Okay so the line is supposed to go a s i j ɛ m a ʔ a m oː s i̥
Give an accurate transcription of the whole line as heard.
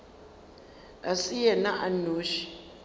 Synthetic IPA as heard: a s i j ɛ n a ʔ a n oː ʃ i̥